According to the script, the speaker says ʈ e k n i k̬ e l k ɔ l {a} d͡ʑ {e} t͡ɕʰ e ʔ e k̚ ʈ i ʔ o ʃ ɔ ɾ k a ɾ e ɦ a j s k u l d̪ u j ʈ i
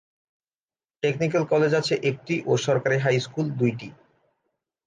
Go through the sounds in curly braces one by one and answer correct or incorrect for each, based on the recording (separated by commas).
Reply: incorrect, incorrect